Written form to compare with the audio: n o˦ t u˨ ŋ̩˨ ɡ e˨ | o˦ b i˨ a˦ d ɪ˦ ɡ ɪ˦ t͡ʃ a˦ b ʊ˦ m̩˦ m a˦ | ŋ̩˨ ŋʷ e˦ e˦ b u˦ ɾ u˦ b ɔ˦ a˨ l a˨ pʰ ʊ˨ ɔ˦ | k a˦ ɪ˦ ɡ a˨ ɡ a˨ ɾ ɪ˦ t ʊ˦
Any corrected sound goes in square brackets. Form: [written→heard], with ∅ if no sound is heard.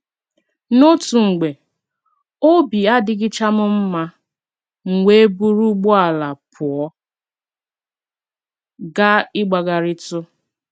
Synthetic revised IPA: n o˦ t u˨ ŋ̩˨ [ɡ→ɡ͡b] e˨ | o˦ b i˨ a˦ d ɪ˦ ɡ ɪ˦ t͡ʃ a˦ [b→m] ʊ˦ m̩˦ m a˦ | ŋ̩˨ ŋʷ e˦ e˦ b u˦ ɾ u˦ [b→ɡ͡b] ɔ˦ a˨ l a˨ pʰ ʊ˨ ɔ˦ | [k→ɡ] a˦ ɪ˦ [ɡ→ɡ͡b] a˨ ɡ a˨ ɾ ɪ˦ t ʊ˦